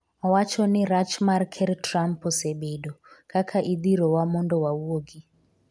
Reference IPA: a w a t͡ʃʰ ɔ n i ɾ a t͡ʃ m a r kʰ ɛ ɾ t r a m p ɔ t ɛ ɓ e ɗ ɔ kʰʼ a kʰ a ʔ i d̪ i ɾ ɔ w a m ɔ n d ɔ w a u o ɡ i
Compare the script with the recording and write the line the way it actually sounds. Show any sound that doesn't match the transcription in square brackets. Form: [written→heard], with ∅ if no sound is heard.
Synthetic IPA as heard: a w a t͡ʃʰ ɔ n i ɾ a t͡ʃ m a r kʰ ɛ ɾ t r a m p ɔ [t→s] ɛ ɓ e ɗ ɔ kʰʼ a kʰ a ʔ i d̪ i ɾ ɔ w a m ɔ n d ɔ w a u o ɡ i

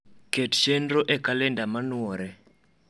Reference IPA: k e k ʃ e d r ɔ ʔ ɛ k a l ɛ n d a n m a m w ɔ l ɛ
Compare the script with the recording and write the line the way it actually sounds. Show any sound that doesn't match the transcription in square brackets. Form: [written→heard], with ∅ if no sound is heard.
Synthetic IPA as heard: k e [k→t] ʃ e [d→n] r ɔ ʔ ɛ k a l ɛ n d a [n→∅] m a [m→n] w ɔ [l→ɾ] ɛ

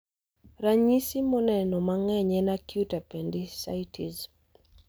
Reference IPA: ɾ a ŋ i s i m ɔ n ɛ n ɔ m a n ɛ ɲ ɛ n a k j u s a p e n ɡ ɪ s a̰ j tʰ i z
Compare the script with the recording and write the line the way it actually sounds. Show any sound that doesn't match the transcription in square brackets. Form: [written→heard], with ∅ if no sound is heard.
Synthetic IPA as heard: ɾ a [ŋ→ɲ] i s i m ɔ n ɛ n ɔ m a [n→ŋ] ɛ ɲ ɛ n a k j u [s→t] a p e n [ɡ→d] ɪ s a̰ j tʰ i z

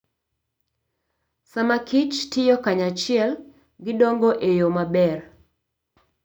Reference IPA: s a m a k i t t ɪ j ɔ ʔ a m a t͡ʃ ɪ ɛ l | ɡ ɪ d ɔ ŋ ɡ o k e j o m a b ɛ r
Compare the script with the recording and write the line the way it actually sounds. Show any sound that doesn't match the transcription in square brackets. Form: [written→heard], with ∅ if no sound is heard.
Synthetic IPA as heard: s a m a k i [t→t͡ʃ] t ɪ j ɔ [ʔ→k] a [m→ɲ] a t͡ʃ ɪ ɛ l | ɡ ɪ d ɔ ŋ ɡ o [k→ʔ] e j o m a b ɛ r

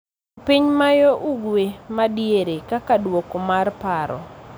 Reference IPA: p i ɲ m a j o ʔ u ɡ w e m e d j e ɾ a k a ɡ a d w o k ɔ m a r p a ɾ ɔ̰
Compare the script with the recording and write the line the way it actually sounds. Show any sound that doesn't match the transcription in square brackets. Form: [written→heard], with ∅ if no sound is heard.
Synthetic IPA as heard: p i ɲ m a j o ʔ u ɡ w e m [e→a] d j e ɾ [a→e] k a [ɡ→k] a d w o k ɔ m a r p a ɾ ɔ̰

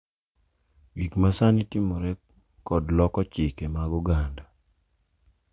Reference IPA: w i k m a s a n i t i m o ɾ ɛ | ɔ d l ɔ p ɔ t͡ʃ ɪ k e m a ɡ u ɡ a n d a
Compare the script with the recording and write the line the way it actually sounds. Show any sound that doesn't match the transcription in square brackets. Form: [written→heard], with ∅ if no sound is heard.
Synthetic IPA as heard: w i k m a s a n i t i m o ɾ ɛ | ɔ d l ɔ [p→k] ɔ t͡ʃ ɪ k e m a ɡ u ɡ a n d a

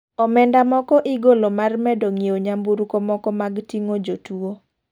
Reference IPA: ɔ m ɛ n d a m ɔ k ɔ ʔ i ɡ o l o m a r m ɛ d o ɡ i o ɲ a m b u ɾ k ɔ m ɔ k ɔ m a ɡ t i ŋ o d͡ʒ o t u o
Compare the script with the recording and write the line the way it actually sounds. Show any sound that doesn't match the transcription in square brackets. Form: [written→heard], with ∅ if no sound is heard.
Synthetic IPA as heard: ɔ m ɛ n d a m ɔ k ɔ ʔ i ɡ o l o m a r m ɛ d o [ɡ→ŋ] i o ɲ a m b u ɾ k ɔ m ɔ k ɔ m a ɡ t i ŋ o d͡ʒ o t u o

